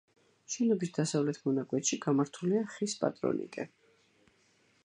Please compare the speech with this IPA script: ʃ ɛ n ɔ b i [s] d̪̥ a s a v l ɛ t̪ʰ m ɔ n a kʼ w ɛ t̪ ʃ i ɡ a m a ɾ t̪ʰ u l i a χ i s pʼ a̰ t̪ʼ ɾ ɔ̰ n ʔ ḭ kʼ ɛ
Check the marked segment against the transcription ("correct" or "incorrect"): correct